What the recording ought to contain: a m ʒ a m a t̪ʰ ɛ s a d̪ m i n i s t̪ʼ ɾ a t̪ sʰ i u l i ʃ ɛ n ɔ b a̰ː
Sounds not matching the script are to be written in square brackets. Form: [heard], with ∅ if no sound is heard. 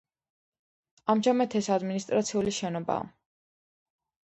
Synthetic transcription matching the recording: a m ʒ a m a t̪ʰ ɛ s a d̪ m i n i s t̪ʼ ɾ a t̪ sʰ i u l i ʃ ɛ n ɔ b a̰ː